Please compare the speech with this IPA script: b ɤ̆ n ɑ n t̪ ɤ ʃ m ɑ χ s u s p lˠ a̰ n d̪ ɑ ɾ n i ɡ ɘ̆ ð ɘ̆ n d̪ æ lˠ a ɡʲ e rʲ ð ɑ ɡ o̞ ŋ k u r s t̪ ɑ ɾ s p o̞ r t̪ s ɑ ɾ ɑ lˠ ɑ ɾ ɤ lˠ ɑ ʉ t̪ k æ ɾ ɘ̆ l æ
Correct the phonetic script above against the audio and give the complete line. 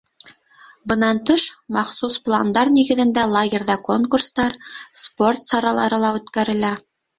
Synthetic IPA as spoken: b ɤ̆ n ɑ n t̪ ɤ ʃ m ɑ χ s u s p lˠ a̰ n d̪ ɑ ɾ n i ɡ ɘ̆ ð ɘ̆ n d̪ æ lˠ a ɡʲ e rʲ ð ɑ k o̞ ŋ k u r s t̪ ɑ ɾ s p o̞ r t̪ s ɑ ɾ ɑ lˠ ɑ ɾ ɤ lˠ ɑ ʉ t̪ k æ ɾ ɘ̆ l æ